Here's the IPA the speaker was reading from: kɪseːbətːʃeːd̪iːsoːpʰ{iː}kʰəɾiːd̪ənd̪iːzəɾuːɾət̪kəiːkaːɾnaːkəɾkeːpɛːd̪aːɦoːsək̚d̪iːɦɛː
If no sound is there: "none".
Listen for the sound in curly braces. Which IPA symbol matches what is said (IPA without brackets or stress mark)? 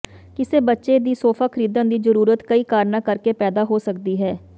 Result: aː